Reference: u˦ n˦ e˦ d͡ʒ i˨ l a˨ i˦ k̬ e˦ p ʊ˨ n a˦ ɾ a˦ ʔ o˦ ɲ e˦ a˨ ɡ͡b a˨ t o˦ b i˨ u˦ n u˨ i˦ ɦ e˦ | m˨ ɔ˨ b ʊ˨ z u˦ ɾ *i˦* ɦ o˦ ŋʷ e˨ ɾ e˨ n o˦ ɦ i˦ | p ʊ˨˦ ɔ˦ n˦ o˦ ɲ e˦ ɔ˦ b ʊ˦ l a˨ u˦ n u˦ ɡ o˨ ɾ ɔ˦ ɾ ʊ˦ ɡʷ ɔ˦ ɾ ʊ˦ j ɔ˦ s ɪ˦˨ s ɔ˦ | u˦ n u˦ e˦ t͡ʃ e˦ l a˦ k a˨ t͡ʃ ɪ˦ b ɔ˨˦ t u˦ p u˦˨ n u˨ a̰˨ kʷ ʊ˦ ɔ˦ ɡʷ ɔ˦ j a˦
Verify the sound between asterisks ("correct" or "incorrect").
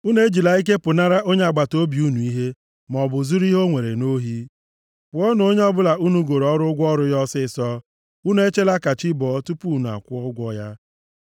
correct